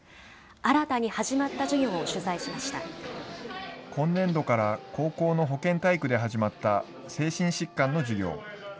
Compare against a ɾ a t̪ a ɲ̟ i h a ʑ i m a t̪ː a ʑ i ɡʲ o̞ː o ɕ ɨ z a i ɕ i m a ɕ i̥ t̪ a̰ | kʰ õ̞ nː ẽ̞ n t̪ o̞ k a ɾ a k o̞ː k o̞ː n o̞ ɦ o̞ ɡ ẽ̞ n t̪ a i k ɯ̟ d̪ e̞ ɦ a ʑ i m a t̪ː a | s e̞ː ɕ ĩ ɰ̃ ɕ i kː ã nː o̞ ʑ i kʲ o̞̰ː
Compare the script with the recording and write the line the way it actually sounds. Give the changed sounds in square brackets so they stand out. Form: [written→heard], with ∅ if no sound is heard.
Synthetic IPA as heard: a ɾ a t̪ a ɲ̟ i h a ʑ i m a t̪ː a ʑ i ɡʲ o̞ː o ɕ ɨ z a i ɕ i m a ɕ i̥ t̪ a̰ | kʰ õ̞ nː ẽ̞ n [t̪→d̪] o̞ k a ɾ a k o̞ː k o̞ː n o̞ ɦ o̞ [ɡ→k] ẽ̞ n t̪ a i k ɯ̟ d̪ e̞ ɦ a ʑ i m a t̪ː a | s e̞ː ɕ ĩ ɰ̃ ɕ i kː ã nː o̞ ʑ i [kʲ→ɡʲ] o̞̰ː